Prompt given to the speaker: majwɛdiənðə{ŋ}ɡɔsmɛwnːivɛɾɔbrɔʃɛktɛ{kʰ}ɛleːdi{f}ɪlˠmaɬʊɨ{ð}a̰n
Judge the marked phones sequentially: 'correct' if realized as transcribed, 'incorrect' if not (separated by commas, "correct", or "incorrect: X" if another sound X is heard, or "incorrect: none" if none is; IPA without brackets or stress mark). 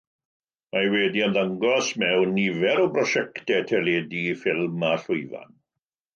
correct, incorrect: tʰ, correct, incorrect: v